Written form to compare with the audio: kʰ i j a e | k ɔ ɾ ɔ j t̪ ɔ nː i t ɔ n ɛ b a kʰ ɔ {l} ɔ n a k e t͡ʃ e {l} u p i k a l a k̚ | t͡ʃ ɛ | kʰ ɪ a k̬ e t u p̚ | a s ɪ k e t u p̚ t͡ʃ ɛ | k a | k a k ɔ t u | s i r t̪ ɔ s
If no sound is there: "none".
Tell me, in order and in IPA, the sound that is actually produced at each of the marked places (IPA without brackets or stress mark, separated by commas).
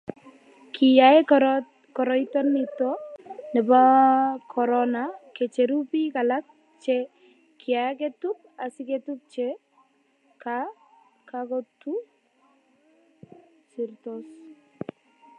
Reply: ɾ, ɾ